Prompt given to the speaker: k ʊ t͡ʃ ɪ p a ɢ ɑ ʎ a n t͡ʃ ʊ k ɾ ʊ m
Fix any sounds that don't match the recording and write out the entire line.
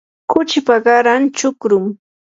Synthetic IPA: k ʊ t͡ʃ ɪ p a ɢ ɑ ɾ a n t͡ʃ ʊ k ɾ ʊ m